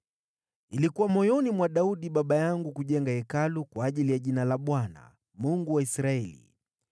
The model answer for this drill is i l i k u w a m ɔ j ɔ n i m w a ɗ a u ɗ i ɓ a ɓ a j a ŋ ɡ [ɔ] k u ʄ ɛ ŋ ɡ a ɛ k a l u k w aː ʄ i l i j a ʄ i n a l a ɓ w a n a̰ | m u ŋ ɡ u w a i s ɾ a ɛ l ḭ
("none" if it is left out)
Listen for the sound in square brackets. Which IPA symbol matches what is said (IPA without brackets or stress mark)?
u